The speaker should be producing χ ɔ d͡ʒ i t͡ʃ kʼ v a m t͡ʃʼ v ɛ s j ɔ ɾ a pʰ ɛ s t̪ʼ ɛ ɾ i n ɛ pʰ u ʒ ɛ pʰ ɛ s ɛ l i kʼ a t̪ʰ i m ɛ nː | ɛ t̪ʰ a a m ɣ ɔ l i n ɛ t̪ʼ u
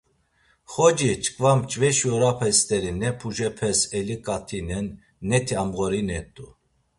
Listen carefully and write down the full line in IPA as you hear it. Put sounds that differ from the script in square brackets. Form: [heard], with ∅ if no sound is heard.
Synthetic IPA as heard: χ ɔ d͡ʒ i t͡ʃ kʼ v a m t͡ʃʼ v ɛ [ʃ] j ɔ ɾ a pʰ ɛ s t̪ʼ ɛ ɾ i n ɛ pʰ u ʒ ɛ pʰ ɛ s ɛ l i kʼ a t̪ʰ i [n] ɛ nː | ɛ t̪ʰ [i] a m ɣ ɔ [ɾ] i n ɛ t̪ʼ u